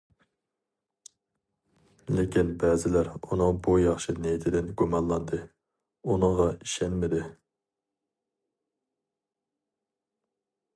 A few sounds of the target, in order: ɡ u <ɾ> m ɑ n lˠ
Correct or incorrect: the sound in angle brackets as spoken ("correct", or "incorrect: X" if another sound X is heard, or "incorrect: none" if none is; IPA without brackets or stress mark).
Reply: incorrect: none